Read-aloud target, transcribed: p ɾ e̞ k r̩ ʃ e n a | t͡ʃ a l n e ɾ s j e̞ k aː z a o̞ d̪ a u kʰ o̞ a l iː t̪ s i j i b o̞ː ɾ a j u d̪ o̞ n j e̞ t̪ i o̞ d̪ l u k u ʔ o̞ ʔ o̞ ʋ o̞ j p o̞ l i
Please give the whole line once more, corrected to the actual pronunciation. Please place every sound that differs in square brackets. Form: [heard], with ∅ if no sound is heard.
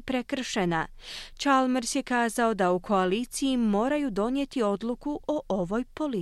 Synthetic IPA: p ɾ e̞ k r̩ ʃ e n a | t͡ʃ a l [m] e ɾ s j e̞ k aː z a o̞ d̪ a u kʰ o̞ a l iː t̪ s i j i [m] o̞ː ɾ a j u d̪ o̞ n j e̞ t̪ i o̞ d̪ l u k u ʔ o̞ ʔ o̞ ʋ o̞ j p o̞ l i